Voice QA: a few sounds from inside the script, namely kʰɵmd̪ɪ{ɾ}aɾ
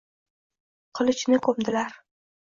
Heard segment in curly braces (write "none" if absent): l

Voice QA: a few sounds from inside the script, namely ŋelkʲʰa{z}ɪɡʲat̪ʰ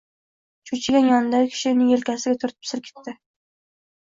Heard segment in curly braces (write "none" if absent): s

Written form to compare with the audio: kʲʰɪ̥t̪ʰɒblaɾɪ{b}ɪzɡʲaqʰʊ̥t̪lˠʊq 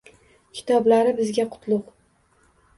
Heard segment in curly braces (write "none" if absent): b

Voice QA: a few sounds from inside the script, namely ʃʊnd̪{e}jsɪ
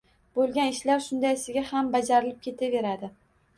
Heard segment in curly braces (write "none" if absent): a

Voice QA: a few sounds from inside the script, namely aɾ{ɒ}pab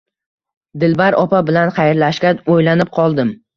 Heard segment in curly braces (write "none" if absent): ɒ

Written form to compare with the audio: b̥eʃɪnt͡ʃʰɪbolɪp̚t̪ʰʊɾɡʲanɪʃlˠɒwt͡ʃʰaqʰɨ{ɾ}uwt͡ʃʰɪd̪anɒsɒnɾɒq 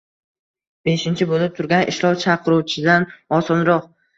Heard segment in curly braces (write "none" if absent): ɾ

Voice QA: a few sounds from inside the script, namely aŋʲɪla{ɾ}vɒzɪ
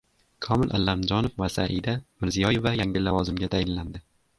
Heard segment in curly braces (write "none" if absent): none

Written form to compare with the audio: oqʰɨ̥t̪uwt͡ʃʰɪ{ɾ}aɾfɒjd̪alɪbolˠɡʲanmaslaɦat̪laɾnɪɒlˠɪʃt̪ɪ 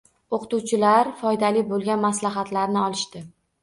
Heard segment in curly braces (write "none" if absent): l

